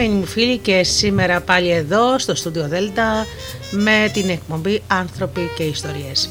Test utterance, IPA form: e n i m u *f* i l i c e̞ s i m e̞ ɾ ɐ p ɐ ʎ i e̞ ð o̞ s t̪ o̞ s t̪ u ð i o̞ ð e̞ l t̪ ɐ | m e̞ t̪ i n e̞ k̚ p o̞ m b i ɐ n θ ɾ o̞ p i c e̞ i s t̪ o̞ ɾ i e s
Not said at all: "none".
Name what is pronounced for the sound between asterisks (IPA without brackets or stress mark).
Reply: f